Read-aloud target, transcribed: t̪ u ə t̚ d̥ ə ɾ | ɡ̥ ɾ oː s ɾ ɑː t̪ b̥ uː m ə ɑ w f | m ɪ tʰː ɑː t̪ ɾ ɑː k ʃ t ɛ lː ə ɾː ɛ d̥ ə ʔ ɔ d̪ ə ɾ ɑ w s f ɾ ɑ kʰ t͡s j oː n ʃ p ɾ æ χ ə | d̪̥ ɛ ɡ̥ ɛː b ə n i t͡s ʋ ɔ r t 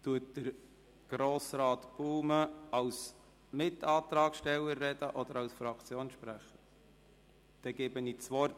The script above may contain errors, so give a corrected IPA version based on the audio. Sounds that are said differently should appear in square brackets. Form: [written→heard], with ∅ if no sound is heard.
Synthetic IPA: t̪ u ə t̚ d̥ ə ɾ | ɡ̥ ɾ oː s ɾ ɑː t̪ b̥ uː m ə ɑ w [f→s] | m ɪ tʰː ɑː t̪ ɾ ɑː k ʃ t ɛ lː ə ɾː ɛ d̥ ə ʔ ɔ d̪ ə ɾ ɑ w s f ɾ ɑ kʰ t͡s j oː n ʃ p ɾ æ χ ə | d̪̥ ɛ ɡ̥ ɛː b ə n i t͡s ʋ ɔ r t